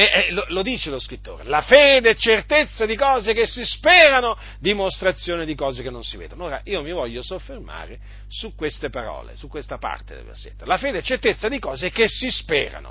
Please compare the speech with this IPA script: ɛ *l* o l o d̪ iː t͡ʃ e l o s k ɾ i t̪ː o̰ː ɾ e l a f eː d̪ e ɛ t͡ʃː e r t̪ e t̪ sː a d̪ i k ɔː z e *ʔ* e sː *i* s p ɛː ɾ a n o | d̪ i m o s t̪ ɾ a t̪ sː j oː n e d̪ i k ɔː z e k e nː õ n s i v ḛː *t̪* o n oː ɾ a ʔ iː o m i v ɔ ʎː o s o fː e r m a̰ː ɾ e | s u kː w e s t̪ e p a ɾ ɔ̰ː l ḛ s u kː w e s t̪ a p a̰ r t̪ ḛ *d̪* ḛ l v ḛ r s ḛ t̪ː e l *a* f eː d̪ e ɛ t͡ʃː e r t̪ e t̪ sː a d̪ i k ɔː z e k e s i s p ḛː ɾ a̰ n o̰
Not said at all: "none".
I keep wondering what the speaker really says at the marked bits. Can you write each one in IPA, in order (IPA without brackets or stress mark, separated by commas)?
l, k, i, d̪, d̪, a